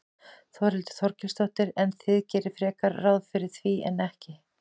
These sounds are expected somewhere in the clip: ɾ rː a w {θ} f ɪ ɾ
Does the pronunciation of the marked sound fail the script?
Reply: yes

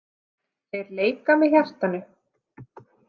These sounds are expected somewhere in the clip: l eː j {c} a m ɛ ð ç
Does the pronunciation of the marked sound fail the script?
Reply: yes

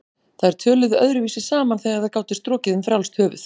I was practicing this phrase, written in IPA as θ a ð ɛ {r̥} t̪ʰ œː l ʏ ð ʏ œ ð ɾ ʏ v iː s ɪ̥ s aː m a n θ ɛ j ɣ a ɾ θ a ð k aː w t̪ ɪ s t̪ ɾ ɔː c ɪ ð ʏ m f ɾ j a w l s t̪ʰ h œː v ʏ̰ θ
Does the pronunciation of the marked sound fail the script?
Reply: yes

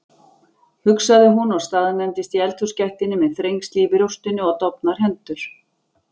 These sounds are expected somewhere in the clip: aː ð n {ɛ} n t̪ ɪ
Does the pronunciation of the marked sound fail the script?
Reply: no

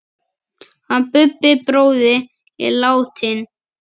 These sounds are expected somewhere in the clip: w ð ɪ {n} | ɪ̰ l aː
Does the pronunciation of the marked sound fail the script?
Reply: yes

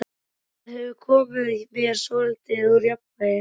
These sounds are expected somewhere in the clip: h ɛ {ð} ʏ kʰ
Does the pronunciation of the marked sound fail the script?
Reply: yes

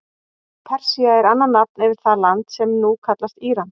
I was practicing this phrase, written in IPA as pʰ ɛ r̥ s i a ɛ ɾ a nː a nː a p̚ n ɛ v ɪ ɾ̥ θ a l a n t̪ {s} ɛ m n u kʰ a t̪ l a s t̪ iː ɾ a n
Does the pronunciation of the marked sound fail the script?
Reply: no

